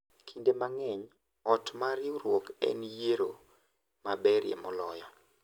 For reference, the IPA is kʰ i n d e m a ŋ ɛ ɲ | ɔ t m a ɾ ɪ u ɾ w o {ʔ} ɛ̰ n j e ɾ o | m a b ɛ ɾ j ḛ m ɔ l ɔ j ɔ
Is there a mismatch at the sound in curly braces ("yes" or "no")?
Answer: yes